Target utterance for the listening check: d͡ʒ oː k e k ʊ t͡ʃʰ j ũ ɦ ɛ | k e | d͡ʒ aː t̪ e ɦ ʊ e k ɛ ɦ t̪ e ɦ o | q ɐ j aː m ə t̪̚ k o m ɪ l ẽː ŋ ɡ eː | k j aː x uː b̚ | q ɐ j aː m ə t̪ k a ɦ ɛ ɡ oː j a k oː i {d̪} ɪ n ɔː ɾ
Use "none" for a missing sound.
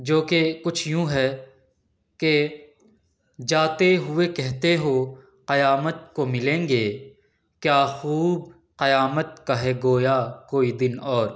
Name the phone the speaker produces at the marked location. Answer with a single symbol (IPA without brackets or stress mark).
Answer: d̪